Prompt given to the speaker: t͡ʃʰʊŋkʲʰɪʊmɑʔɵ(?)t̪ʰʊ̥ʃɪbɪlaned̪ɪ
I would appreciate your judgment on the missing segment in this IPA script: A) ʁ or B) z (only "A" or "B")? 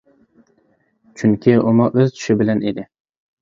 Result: B